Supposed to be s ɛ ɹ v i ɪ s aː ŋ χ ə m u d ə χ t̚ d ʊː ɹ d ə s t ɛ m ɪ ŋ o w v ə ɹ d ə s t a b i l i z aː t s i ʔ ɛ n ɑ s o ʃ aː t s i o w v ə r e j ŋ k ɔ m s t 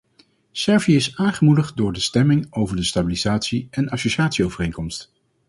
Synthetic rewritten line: s ɛ ɹ v i ɪ s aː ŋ χ ə m u d ə χ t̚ d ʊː ɹ d ə s t ɛ m ɪ ŋ o w v ə ɹ d ə s t a b i l i z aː t s i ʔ ɛ n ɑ s o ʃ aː t s i o w v ə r e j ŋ k ɔ m s t